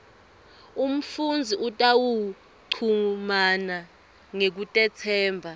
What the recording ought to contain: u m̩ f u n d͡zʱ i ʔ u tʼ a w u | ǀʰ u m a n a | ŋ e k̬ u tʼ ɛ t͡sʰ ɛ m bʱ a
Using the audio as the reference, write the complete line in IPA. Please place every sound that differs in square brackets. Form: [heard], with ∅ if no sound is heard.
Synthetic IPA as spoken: u m̩ f u n d͡zʱ i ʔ u tʼ a w u | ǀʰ u m a n a | ŋ e k̬ u tʼ ɛ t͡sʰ [ɛː] m bʱ a

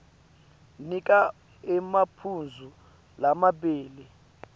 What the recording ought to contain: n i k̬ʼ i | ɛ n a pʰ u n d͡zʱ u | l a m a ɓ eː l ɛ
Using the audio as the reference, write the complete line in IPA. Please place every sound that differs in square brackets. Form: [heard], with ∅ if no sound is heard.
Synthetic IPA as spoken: n i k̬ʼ [a] | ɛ [m] a pʰ u n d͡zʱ u | l a m a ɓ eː l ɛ

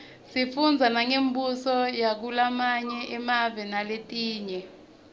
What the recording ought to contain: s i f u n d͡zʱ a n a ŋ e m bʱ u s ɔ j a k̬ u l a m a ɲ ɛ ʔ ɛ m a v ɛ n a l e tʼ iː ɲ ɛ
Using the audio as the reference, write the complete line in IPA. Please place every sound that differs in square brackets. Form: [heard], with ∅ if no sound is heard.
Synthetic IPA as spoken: s i f u n d͡zʱ a n a ŋ e m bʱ u s ɔ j a k̬ u l a m a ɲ ɛ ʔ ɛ m a v ɛ n a l e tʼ iː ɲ ɛ

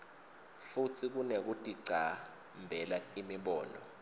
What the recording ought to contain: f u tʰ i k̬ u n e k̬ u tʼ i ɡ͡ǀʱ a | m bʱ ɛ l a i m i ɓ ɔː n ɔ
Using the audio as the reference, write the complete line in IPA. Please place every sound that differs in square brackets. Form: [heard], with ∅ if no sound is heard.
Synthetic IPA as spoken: f u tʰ i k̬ u n e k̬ u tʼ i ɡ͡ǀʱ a | m bʱ ɛ l a i m i ɓ ɔː n ɔ

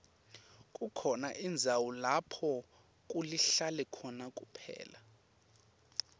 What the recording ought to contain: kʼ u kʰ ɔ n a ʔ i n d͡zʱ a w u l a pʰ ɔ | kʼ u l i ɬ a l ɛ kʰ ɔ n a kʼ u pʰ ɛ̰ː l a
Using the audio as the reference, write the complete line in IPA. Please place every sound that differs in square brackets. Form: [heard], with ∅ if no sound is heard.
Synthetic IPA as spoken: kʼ u kʰ ɔ n a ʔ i n d͡zʱ a w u l a pʰ ɔ | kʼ u l i ɬ a l ɛ kʰ ɔ n a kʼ u pʰ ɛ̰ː l a

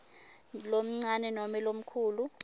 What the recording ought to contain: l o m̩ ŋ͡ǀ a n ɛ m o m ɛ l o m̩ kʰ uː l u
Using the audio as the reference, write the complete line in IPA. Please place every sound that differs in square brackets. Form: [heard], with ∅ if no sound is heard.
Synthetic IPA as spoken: l o m̩ ŋ͡ǀ a n ɛ [n] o m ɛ l o m̩ kʰ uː l u

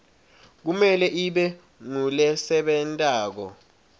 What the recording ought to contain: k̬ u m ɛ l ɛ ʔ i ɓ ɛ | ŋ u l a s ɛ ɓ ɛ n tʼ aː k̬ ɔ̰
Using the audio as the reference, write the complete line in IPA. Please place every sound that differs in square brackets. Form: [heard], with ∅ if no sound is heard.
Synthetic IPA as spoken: k̬ u m ɛ l ɛ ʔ i ɓ ɛ | ŋ u l [ɛ] s ɛ ɓ ɛ n tʼ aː k̬ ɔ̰

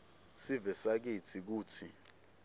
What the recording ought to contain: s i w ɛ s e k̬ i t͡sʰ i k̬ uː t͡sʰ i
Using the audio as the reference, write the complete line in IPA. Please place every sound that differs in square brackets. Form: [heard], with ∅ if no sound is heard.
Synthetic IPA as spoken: s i [v] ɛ s [a] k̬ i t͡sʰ i k̬ uː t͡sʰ i

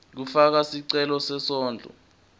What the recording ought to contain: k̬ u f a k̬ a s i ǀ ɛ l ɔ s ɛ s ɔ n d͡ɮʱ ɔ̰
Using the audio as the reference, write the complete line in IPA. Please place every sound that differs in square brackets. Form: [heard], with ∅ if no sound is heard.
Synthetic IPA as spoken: k̬ u f a k̬ a s i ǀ ɛ l ɔ s ɛ s [ɔː] n d͡ɮʱ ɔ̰

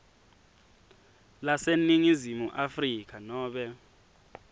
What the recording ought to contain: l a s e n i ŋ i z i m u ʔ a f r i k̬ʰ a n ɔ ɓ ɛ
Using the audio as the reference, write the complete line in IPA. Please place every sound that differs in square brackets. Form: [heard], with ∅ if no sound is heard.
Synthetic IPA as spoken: l a s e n i ŋ i z i m u ʔ a f r i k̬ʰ a n [ɔː] ɓ ɛ

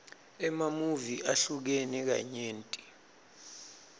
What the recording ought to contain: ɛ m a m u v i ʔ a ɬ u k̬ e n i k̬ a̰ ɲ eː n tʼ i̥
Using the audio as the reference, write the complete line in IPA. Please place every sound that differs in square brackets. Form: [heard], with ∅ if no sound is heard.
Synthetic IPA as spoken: ɛ m a m u v i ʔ a ɬ u k̬ e n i k̬ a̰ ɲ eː n tʼ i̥

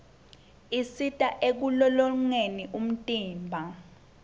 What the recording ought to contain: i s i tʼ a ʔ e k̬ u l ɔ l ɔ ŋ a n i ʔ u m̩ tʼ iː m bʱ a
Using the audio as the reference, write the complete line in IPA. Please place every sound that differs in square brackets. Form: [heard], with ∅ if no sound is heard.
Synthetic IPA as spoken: i s i tʼ a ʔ e k̬ u l ɔ l ɔ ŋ [e] n i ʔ u m̩ tʼ iː m bʱ a

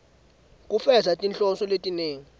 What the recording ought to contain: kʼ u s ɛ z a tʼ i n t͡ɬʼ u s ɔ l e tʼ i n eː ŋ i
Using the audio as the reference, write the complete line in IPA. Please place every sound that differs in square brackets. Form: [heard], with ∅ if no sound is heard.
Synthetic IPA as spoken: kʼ u [f] ɛ z a tʼ i n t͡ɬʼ [ɔ] s ɔ l e tʼ i n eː ŋ i

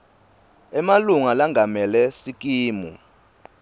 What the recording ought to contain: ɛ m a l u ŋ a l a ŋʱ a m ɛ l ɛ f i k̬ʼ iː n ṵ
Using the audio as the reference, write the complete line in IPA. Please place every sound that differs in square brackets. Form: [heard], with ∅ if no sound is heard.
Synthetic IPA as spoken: ɛ m a l u ŋ a l a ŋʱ a m ɛ l ɛ [s] i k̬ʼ iː [m] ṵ

